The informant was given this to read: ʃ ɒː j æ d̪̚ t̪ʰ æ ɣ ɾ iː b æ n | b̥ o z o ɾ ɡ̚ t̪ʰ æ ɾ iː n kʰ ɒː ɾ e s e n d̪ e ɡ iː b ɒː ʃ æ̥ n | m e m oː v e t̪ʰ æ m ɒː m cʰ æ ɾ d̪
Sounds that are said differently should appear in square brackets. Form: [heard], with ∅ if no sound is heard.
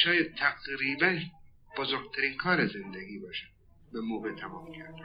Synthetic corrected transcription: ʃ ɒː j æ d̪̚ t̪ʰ æ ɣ ɾ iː b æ n | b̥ o z o ɾ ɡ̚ t̪ʰ æ ɾ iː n kʰ ɒː ɾ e [z] e n d̪ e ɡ iː b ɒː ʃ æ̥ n | [b] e m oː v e t̪ʰ æ m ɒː m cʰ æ ɾ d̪